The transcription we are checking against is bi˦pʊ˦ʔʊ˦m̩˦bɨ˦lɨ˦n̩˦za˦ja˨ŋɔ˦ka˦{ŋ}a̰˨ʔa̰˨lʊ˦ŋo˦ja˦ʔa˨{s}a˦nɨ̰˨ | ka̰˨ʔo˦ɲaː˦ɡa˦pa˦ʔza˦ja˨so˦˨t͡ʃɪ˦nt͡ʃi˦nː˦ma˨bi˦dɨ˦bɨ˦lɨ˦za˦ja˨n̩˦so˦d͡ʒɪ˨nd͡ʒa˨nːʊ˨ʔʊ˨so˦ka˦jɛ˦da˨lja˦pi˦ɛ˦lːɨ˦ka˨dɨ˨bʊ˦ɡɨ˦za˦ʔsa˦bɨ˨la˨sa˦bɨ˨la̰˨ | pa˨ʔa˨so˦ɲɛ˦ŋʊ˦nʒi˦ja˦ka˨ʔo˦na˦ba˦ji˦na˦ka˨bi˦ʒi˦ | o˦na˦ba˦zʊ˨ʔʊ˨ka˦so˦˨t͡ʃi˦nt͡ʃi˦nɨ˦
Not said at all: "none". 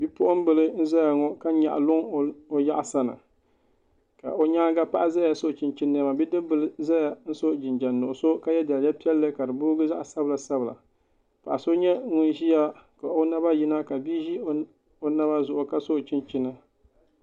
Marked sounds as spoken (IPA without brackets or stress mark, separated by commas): ɲ, s